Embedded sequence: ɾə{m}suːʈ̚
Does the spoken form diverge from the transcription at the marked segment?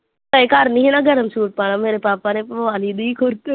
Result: no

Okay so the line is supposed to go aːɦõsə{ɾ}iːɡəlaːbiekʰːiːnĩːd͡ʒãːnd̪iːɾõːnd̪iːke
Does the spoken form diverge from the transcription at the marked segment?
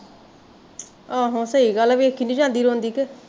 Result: yes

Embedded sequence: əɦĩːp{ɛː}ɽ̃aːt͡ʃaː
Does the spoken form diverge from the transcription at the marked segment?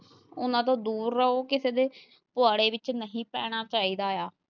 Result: no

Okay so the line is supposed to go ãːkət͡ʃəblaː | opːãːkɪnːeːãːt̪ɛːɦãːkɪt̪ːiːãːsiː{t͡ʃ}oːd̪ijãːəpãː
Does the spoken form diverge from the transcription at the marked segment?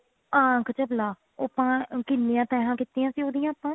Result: yes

